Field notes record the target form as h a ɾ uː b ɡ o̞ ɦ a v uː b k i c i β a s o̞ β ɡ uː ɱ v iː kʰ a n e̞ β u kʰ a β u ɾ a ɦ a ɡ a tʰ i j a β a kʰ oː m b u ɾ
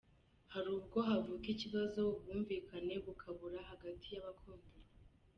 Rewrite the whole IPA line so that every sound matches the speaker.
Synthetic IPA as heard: h a ɾ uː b ɡ o̞ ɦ a v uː k i c i β a z o̞ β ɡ uː ɱ v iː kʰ a n e̞ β u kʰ a β u ɾ a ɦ a ɡ a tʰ i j a β a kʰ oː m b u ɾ

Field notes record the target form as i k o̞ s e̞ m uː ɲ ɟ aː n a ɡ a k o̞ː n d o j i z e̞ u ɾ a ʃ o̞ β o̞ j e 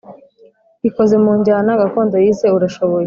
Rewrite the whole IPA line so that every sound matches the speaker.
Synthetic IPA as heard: i k o̞ z e̞ m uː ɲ ɟ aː n a ɡ a k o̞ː n d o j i z e̞ u ɾ a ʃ o̞ β o̞ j e

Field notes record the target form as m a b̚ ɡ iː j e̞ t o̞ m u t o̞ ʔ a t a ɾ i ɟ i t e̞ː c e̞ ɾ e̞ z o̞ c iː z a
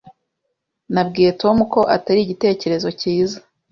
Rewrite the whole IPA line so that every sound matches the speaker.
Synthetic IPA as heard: n a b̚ ɡ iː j e̞ t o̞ m u k o̞ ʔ a t a ɾ i ɟ i t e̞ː c e̞ ɾ e̞ z o̞ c iː z a

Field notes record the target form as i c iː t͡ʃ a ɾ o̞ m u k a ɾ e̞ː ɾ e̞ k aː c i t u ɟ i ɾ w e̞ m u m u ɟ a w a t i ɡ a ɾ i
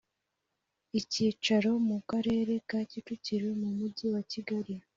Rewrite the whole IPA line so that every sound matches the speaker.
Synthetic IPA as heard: i c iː t͡ʃ a ɾ o̞ m u k a ɾ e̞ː ɾ e̞ k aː c i t u c i ɾ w e̞ m u m u ɟ i w a c i ɡ a ɾ i

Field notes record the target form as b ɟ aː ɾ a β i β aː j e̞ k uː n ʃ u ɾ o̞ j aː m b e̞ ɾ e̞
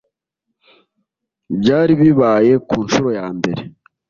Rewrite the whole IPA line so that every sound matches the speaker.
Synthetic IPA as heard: b ɟ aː ɾ i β i β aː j e̞ k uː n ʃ u ɾ o̞ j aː m b e̞ ɾ e̞

